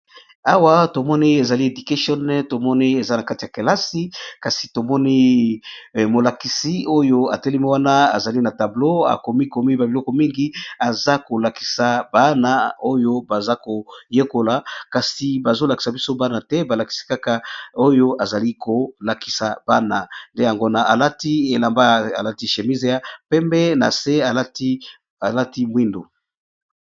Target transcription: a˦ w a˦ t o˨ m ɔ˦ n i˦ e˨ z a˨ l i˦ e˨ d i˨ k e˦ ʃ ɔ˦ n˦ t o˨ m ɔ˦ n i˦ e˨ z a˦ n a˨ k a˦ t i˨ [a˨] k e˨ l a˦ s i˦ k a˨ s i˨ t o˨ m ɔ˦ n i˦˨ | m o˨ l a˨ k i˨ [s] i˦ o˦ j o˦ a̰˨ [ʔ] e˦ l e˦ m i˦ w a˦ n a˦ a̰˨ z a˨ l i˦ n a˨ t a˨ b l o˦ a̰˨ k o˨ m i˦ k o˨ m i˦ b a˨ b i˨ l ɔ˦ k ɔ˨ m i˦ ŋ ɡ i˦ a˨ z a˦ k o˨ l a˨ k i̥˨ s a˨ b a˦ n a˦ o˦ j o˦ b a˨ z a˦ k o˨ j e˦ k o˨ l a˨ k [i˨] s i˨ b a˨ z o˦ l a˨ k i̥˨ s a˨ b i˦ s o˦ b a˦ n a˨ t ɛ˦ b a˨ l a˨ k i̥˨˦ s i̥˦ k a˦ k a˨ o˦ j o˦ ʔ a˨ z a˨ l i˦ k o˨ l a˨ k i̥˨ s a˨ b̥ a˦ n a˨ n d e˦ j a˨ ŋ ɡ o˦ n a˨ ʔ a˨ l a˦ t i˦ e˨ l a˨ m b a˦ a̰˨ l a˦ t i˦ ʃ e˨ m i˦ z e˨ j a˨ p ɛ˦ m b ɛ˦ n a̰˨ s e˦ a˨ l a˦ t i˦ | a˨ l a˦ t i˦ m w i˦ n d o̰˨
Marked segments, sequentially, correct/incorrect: correct, correct, incorrect: t, incorrect: a˨

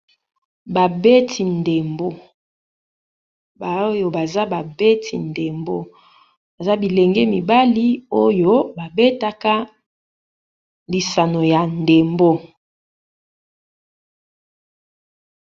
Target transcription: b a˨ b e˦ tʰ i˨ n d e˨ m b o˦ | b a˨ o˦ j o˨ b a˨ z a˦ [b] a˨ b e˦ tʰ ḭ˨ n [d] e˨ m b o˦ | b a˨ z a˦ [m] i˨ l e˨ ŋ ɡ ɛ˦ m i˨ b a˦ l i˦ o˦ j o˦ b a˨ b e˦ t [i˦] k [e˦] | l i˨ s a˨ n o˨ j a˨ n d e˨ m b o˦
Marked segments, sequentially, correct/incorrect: correct, correct, incorrect: b, incorrect: a˦, incorrect: a˦

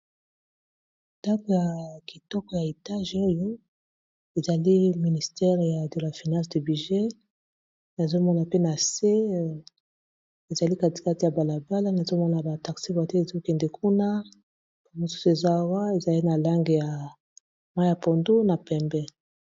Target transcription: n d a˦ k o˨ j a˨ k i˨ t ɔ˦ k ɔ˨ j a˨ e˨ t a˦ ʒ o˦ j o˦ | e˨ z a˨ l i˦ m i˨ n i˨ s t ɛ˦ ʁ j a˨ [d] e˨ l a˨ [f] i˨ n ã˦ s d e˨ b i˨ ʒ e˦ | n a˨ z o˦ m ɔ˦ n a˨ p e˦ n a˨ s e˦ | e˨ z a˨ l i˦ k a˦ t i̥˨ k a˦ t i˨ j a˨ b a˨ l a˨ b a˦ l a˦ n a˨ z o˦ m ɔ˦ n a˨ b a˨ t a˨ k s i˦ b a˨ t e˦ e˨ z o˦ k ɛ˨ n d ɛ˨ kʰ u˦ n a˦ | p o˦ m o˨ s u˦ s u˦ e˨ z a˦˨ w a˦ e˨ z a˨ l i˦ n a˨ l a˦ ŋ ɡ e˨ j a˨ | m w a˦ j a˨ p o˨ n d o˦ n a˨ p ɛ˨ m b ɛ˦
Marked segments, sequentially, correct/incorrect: correct, correct

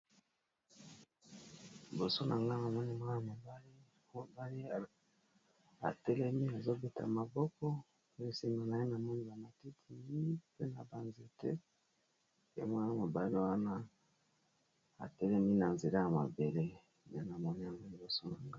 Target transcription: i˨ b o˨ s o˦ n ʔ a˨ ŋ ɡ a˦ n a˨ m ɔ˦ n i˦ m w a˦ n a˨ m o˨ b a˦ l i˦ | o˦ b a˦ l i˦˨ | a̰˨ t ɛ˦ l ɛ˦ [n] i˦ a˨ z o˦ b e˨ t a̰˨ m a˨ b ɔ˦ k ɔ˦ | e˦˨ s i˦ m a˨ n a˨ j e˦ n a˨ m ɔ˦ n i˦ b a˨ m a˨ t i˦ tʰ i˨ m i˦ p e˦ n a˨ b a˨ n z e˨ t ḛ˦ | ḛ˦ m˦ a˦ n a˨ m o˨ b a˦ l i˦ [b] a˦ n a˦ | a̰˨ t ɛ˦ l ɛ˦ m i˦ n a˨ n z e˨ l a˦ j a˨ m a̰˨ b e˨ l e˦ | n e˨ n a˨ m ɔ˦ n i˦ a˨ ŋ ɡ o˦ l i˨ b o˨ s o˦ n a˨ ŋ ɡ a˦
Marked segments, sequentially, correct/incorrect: incorrect: m, incorrect: w

